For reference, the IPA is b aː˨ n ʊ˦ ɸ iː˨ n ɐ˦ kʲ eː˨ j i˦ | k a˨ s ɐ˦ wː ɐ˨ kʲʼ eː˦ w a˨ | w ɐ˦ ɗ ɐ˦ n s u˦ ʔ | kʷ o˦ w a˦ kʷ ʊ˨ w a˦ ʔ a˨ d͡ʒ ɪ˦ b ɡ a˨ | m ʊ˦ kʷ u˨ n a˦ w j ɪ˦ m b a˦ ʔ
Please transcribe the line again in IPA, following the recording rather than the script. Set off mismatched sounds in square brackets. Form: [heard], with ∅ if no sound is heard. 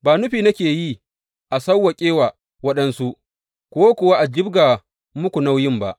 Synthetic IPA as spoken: b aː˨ n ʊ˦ ɸ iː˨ n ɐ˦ kʲ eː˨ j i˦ | [ʔ] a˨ s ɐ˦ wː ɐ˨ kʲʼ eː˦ w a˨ | w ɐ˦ ɗ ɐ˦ n s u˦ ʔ | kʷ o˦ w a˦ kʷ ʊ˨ w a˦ ʔ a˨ d͡ʒ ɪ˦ b ɡ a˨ | m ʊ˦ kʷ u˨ n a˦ w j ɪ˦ m b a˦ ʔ

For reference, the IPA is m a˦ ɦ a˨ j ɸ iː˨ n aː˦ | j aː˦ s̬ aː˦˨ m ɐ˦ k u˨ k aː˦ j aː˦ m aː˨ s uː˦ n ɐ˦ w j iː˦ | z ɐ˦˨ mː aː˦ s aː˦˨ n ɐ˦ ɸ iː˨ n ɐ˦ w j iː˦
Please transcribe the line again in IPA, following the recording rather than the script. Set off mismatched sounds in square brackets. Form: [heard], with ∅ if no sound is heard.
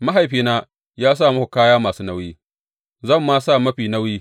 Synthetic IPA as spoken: m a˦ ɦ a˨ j ɸ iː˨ n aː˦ | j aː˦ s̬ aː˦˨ m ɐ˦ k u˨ k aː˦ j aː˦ m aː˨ s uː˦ n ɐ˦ w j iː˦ | z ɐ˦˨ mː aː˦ s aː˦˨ [m] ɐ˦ ɸ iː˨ n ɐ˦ w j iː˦

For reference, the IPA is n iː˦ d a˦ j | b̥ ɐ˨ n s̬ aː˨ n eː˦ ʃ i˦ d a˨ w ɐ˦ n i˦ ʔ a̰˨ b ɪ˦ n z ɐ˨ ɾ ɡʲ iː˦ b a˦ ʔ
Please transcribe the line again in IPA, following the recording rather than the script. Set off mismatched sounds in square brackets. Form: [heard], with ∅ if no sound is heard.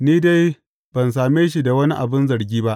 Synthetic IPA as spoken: n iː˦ d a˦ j | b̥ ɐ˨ n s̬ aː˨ [m] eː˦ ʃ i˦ d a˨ w ɐ˦ n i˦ ʔ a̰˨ b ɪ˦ n z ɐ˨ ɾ ɡʲ iː˦ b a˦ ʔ

